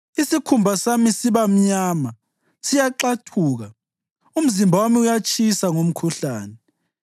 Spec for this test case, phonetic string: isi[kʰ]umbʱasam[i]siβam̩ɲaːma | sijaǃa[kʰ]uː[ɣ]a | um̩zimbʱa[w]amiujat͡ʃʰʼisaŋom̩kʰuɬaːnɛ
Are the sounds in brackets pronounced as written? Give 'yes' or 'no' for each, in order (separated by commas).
yes, yes, no, yes, yes